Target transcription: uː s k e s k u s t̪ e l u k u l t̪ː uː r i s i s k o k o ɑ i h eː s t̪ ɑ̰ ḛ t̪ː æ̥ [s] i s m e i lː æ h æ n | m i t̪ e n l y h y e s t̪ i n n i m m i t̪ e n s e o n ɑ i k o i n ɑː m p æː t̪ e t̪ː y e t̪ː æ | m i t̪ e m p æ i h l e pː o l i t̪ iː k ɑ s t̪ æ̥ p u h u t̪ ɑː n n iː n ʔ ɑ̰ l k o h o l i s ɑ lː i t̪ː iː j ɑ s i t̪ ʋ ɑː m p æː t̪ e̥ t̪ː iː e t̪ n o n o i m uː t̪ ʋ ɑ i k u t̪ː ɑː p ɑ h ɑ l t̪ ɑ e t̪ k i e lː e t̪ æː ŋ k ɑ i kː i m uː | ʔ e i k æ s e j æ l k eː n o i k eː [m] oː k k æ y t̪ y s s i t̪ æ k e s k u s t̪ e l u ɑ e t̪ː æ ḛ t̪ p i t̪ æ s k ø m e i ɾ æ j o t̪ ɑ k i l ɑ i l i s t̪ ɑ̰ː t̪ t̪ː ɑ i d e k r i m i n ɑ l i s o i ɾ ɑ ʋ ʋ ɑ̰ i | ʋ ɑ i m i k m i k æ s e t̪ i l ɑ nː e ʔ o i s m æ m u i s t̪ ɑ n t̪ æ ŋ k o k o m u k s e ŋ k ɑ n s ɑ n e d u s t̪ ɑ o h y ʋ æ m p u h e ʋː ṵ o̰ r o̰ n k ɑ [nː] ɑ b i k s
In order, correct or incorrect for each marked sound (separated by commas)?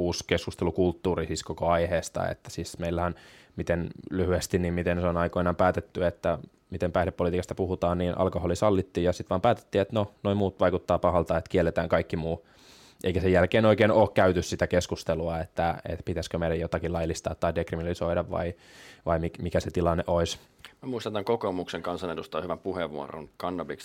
correct, incorrect, correct